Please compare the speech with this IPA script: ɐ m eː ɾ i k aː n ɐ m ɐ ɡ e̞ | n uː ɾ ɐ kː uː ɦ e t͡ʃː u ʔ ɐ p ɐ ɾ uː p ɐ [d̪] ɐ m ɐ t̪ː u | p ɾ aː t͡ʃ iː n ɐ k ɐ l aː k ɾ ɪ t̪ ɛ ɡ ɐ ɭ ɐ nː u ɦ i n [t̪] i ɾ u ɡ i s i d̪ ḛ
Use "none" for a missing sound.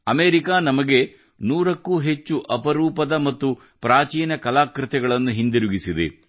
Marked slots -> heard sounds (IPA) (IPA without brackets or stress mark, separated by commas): d̪, d̪